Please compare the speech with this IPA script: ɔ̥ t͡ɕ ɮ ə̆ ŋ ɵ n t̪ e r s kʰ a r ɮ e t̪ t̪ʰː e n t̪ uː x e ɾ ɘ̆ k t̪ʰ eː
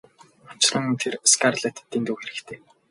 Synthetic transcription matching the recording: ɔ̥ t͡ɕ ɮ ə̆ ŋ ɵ n t̪ʰ e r s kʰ a r ɮ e t̪ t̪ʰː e n t̪ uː x e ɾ ɘ̆ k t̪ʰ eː